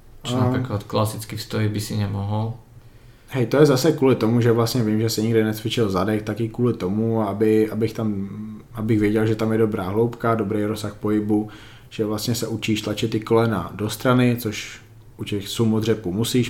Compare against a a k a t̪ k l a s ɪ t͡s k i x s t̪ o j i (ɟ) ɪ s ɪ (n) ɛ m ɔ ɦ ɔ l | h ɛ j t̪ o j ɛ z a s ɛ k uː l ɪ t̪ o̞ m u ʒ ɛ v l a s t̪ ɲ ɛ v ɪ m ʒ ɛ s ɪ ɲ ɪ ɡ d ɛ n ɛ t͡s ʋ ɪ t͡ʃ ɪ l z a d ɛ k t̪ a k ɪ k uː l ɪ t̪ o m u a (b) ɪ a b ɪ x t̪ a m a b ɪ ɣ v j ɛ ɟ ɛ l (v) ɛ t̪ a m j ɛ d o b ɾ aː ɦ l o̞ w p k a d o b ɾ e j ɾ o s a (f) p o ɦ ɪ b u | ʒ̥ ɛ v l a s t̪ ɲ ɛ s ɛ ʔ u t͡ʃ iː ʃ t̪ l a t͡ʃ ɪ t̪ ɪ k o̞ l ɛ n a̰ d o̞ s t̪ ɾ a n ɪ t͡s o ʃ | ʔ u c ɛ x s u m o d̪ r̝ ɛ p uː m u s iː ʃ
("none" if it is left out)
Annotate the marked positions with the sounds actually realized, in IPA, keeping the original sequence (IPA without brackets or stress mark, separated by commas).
b, ɲ, b, ʒ, x